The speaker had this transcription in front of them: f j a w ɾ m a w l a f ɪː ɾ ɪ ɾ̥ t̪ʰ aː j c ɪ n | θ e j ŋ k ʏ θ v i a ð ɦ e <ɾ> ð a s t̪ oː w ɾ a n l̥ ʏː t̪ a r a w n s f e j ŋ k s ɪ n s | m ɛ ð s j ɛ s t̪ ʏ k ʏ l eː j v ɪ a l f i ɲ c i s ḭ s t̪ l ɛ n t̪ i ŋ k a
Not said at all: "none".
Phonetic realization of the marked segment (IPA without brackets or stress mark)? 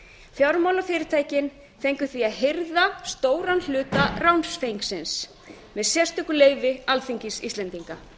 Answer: ɾ